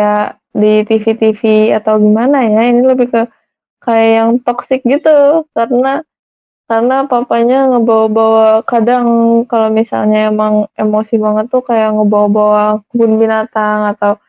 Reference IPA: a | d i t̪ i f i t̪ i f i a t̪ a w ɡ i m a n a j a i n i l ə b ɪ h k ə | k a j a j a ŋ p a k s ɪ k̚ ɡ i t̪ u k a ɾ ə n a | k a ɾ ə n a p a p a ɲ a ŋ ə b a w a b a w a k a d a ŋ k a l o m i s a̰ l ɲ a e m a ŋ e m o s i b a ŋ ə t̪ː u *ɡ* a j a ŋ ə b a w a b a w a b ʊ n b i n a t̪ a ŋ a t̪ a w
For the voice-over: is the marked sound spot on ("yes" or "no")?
no